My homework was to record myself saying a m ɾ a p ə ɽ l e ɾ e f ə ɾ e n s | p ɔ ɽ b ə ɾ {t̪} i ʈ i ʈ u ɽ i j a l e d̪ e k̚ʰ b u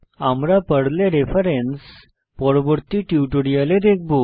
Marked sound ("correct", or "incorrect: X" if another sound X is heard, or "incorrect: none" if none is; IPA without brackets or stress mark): correct